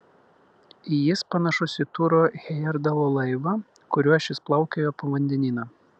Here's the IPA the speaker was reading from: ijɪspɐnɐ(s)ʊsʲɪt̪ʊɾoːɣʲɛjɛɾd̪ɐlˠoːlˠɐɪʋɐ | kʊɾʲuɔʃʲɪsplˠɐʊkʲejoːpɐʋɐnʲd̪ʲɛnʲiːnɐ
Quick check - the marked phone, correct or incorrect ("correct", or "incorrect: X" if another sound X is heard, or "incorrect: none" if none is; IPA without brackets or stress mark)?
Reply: incorrect: ʃ